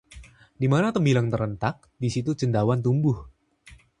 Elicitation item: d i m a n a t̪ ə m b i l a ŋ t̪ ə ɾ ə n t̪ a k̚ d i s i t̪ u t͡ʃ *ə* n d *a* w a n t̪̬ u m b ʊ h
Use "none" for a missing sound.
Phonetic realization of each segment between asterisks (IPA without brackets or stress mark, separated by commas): ə, a